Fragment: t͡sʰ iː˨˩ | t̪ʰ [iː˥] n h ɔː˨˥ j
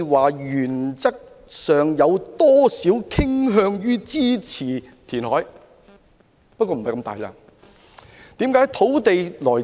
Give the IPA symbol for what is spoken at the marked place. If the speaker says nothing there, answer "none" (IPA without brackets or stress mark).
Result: iː˨˩